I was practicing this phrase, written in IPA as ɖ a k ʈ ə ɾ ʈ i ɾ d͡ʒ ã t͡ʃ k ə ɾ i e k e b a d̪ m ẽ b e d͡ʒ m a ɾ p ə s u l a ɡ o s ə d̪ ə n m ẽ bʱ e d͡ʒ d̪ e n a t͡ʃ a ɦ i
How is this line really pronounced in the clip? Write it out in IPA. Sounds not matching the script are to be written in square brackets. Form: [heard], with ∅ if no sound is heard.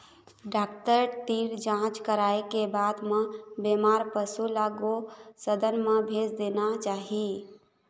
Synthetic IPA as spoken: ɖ a k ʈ ə ɾ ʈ i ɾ d͡ʒ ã t͡ʃ k ə ɾ [a] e k e b a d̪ m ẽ b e [∅] m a ɾ p ə s u l a ɡ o s ə d̪ ə n m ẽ bʱ e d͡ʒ d̪ e n a t͡ʃ a ɦ i

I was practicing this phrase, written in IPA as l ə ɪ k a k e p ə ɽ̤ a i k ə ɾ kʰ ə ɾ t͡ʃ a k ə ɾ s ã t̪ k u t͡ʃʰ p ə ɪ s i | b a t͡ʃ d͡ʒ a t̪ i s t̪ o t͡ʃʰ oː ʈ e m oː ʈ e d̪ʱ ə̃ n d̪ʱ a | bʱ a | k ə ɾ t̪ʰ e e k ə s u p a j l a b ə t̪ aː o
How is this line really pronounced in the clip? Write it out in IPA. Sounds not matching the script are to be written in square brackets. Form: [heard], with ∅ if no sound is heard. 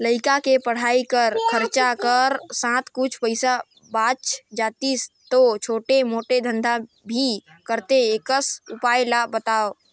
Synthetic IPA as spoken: l ə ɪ k a k e p ə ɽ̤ a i k ə ɾ kʰ ə ɾ t͡ʃ a k ə ɾ s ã t̪ k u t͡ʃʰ p ə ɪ s [a] | b a t͡ʃ d͡ʒ a t̪ i s t̪ o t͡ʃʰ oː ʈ e m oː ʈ e d̪ʱ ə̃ n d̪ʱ a | bʱ [i] | k ə ɾ [t̪] e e k ə s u p a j l a b ə t̪ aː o

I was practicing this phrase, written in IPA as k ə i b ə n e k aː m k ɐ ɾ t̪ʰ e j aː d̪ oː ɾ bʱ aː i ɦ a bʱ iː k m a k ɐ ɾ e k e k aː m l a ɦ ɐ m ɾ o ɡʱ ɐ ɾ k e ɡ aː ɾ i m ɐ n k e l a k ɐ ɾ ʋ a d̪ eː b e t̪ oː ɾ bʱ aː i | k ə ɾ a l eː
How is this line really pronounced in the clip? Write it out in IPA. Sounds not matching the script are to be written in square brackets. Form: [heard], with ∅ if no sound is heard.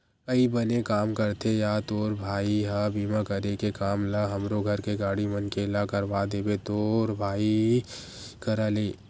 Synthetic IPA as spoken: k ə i b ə n e k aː m k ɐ ɾ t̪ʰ e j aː [t̪] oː ɾ bʱ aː i ɦ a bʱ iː [∅] m a k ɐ ɾ e k e k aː m l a ɦ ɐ m ɾ o ɡʱ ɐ ɾ k e ɡ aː [ɽ] i m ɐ n k e l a k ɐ ɾ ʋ a d̪ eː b e t̪ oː ɾ bʱ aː i | k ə ɾ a l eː

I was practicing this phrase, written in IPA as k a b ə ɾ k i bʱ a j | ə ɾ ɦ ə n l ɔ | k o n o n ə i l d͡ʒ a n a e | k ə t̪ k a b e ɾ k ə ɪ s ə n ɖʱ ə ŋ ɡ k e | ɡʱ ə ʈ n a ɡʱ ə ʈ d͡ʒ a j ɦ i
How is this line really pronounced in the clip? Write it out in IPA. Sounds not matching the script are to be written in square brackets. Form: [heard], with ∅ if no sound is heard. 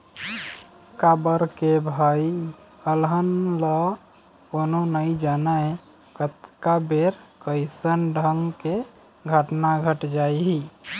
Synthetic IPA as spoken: k a b ə ɾ k [e] bʱ a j | ə [l] ɦ ə n l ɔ | k o n o n ə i [∅] d͡ʒ a n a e | k ə t̪ k a b e ɾ k ə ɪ s ə n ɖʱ ə ŋ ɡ k e | ɡʱ ə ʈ n a ɡʱ ə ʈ d͡ʒ a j ɦ i

